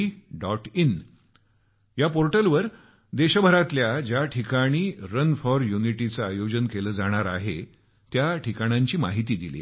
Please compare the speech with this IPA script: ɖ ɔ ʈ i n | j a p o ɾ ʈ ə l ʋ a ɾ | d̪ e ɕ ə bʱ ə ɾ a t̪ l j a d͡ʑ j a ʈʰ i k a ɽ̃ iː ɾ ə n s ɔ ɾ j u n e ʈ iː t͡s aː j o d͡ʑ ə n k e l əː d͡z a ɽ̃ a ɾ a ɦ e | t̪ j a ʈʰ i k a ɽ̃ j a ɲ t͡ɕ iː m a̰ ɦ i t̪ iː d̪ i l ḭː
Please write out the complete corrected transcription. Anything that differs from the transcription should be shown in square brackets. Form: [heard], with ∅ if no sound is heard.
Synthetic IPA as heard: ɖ ɔ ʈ i n | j a p o ɾ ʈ ə l ʋ [ə] ɾ | d̪ e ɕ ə bʱ ə ɾ a t̪ l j a d͡ʑ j a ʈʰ i k a ɽ̃ iː ɾ ə n [f] ɔ ɾ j u n [i] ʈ [i] t͡s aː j o d͡ʑ ə n k e l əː d͡z a ɽ̃ a ɾ a ɦ e | t̪ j a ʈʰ i k a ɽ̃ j a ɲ t͡ɕ iː m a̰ ɦ i t̪ iː d̪ i l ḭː